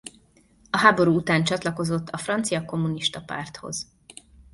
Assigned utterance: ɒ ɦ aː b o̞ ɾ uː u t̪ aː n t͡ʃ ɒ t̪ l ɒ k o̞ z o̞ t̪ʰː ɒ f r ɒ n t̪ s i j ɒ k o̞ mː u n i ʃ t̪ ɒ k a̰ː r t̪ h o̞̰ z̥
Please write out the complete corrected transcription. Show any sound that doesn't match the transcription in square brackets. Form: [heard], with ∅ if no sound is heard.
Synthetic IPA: ɒ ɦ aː b o̞ ɾ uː u t̪ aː n t͡ʃ ɒ t̪ l ɒ k o̞ z o̞ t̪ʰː ɒ f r ɒ n t̪ s i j ɒ k o̞ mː u n i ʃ t̪ ɒ [p] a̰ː r t̪ h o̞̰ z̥